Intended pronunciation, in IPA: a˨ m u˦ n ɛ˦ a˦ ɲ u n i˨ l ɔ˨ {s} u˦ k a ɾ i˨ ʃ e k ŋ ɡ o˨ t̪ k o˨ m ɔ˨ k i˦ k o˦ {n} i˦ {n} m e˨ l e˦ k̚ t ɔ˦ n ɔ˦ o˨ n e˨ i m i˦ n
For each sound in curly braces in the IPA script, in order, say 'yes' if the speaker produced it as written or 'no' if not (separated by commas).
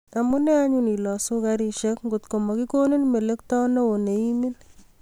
yes, yes, yes